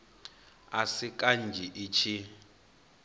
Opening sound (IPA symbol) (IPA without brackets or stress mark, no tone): a